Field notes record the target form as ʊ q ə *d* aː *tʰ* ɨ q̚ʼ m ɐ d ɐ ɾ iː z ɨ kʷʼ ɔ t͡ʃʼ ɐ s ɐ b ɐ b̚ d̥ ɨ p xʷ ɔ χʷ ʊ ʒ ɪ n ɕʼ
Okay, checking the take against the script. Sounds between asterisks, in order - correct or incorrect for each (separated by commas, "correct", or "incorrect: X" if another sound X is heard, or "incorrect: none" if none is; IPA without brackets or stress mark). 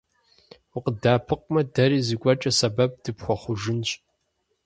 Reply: correct, incorrect: pʰ